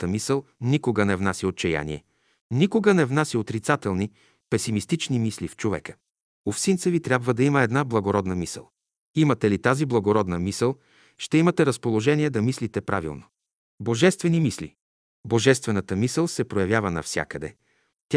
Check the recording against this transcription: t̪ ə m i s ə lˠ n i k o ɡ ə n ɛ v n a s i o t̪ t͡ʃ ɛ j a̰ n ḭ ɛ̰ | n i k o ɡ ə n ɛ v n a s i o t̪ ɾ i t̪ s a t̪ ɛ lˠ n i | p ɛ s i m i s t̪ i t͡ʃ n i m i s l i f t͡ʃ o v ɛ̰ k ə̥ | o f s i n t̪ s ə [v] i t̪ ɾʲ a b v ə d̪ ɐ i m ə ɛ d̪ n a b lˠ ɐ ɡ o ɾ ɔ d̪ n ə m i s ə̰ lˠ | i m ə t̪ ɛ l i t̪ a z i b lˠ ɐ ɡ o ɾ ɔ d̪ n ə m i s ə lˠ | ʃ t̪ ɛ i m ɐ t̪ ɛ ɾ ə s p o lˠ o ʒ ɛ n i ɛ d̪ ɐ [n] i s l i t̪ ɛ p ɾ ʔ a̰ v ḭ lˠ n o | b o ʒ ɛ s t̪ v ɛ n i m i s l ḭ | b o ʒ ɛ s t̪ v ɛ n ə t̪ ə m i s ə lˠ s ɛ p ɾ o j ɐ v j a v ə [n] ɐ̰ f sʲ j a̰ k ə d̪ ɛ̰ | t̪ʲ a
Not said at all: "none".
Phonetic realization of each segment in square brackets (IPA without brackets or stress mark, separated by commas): v, m, n